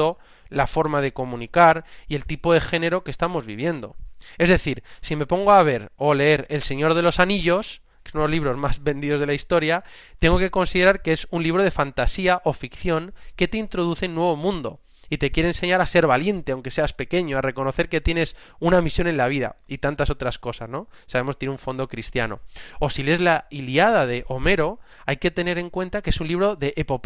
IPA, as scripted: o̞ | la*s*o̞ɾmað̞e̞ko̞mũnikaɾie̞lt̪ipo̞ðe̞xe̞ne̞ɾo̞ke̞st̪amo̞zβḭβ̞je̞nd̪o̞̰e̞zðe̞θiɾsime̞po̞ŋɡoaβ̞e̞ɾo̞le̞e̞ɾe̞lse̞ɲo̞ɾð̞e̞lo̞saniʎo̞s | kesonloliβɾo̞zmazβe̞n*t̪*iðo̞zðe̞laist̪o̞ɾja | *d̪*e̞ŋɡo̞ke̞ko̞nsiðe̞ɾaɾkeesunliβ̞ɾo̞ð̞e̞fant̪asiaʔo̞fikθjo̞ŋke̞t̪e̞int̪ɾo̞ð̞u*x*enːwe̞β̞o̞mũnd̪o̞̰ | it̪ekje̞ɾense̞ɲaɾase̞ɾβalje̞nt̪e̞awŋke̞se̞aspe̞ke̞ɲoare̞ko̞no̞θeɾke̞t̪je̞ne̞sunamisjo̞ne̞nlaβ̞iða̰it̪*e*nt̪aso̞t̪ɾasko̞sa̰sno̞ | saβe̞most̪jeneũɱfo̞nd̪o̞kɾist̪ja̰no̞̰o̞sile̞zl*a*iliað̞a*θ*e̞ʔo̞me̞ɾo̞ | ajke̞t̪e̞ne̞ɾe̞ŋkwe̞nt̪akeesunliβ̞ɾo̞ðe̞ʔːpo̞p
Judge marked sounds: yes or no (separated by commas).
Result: no, no, no, no, no, yes, no